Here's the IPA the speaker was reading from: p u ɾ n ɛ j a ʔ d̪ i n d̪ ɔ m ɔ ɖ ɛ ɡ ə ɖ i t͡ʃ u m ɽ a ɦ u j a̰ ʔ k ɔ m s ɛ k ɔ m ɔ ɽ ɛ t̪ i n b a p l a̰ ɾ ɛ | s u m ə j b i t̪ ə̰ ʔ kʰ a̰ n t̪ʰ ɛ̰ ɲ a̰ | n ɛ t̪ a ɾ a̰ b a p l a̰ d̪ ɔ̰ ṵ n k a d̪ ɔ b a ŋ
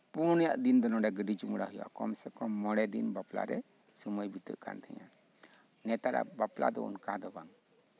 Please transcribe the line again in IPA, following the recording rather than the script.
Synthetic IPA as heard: p u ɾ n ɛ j a ʔ d̪ i n d̪ ɔ n ɔ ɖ ɛ ɡ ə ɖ i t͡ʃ u m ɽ a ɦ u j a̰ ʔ k ɔ m s ɛ k ɔ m ɔ ɽ ɛ d̪ i n b a p l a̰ ɾ ɛ | s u m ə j b i t̪ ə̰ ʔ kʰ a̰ n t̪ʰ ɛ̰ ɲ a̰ | n ɛ t̪ a ɾ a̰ b a p l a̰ d̪ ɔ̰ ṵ n k a d̪ ɔ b a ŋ